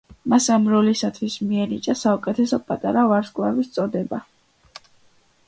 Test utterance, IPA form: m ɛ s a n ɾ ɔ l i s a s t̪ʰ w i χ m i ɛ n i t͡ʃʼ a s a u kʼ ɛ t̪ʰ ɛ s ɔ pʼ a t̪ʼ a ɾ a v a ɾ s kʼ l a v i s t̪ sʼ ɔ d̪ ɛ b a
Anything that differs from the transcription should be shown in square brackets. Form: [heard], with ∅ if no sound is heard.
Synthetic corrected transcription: m [a] s a [m] ɾ ɔ l i s a [∅] t̪ʰ w i [s] m i ɛ n i t͡ʃʼ a s a u kʼ ɛ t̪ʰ ɛ s ɔ pʼ a t̪ʼ a ɾ a v a ɾ s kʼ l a v i s t̪ sʼ ɔ d̪ ɛ b a